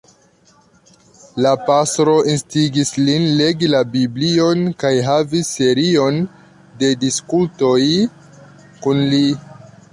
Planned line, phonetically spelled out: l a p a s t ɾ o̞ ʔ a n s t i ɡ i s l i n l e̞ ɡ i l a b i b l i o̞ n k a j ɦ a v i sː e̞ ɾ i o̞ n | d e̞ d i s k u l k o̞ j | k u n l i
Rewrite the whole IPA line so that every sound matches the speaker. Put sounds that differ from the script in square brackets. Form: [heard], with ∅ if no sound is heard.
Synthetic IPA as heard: l a p a s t ɾ o̞ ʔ [i] n s t i ɡ i s l i n l e̞ ɡ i l a b i b l i o̞ n k a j ɦ a v i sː e̞ ɾ i o̞ n | d e̞ d i s k u l [t] o̞ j | k u n l i